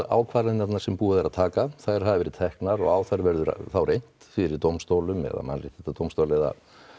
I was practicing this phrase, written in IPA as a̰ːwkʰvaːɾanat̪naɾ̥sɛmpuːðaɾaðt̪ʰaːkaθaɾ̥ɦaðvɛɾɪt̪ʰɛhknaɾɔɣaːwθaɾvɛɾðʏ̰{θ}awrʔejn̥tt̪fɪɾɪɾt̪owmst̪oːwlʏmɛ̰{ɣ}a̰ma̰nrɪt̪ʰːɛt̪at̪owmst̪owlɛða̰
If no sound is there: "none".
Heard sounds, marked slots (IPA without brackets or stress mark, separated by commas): θ, ð